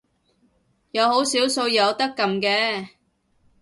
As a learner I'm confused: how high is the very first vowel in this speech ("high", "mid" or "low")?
low